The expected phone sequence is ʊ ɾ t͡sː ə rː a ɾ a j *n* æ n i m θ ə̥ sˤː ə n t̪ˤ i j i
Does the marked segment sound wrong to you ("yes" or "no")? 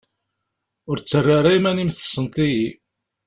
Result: yes